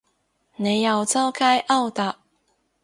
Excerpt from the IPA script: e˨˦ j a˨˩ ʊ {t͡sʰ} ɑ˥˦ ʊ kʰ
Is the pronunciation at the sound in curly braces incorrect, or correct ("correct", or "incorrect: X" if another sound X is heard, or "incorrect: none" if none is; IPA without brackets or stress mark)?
incorrect: t͡s